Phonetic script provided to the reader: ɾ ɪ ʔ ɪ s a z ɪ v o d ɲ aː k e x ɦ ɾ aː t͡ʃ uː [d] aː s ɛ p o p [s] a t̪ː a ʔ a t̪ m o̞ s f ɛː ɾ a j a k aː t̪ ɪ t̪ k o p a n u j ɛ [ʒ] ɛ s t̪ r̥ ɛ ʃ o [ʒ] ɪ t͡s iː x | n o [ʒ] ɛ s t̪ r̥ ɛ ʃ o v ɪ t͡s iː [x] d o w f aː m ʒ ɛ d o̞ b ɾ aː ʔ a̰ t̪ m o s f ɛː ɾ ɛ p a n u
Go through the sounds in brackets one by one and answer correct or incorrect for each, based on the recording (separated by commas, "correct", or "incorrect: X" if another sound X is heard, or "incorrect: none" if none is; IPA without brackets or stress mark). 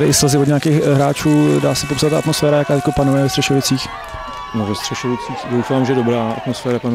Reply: correct, correct, incorrect: v, incorrect: v, incorrect: v, correct